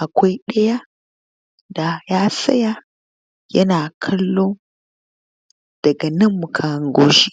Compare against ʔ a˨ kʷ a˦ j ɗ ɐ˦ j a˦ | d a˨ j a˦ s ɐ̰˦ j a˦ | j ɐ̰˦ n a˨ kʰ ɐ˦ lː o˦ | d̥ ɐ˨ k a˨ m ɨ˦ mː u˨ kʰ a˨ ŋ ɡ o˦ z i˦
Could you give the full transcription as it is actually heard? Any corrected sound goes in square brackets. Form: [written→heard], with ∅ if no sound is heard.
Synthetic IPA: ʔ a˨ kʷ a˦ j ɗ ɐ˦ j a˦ | d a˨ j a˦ s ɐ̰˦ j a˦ | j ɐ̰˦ n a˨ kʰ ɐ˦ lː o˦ | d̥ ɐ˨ [k→ɡ] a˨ [m→n] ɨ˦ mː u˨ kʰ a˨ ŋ ɡ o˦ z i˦